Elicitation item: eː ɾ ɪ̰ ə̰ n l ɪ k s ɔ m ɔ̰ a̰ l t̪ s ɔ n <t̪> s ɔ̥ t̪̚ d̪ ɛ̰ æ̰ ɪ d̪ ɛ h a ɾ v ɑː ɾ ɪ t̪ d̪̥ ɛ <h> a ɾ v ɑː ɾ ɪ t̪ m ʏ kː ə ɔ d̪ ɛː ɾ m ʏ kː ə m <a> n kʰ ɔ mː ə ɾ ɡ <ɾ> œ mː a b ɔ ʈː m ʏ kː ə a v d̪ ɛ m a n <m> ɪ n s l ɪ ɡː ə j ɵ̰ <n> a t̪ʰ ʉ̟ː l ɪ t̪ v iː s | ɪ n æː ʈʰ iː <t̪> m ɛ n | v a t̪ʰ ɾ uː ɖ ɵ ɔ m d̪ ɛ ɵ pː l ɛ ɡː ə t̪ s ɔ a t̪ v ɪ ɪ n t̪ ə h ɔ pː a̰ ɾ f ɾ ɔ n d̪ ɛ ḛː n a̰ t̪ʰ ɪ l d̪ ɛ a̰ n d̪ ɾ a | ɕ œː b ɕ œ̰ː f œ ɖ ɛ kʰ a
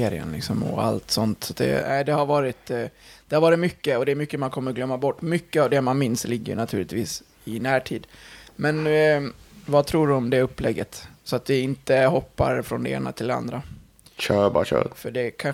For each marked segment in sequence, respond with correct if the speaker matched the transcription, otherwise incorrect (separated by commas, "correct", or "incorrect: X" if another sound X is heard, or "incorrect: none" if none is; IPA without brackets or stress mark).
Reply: correct, correct, correct, incorrect: l, correct, correct, incorrect: d̪